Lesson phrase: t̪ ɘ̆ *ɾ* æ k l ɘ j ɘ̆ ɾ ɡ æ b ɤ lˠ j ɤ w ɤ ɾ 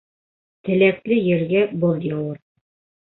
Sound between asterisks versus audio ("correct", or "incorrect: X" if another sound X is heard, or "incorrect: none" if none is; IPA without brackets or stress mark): incorrect: l